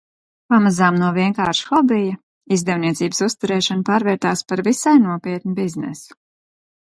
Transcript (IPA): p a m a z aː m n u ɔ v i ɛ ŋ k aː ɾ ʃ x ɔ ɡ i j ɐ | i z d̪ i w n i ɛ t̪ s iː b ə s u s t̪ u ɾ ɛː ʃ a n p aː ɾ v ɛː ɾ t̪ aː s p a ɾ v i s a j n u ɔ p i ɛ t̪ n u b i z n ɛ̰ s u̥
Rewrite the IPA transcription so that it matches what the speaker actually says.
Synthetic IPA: p a m a z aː m n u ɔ v i ɛ ŋ k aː ɾ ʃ x ɔ b i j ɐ | i z d̪ ɛ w n i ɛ t̪ s iː b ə s u s t̪ u ɾ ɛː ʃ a n p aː ɾ v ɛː ɾ t̪ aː s p a ɾ v i s a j n u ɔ p i ɛ t̪ n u b i z n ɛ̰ s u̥